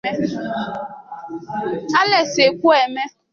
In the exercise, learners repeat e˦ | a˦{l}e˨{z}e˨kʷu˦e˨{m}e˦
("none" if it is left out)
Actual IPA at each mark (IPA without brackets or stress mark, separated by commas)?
l, s, m